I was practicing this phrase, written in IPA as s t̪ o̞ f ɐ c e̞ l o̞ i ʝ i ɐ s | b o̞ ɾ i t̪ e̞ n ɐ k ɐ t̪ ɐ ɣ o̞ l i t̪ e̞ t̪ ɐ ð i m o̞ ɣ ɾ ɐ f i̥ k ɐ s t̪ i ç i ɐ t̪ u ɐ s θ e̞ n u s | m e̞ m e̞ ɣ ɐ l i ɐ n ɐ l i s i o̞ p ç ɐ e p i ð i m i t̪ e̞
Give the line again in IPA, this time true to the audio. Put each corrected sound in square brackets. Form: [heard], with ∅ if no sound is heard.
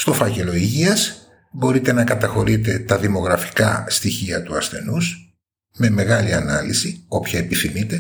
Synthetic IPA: s t̪ o̞ f ɐ c e̞ l o̞ i ʝ i ɐ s | b o̞ ɾ i t̪ e̞ n ɐ k ɐ t̪ ɐ [x] o̞ [ɾ] i t̪ e̞ t̪ ɐ ð i m o̞ ɣ ɾ ɐ f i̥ k ɐ s t̪ i ç i ɐ t̪ u ɐ s θ e̞ n u s | m e̞ m e̞ ɣ ɐ l i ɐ n ɐ l i s i o̞ p ç ɐ e p i [θ] i m i t̪ e̞